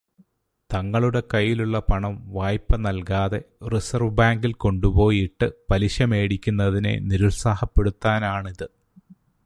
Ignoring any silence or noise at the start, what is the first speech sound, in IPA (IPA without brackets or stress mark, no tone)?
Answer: t̪